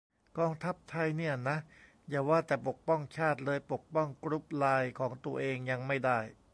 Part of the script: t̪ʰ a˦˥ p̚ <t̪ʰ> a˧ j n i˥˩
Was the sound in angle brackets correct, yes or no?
yes